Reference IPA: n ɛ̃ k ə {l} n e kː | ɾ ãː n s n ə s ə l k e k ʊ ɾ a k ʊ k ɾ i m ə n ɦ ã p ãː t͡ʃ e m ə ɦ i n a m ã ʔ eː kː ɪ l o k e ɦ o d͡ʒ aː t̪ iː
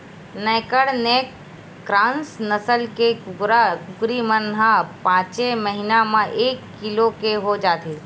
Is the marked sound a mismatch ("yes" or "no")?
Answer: yes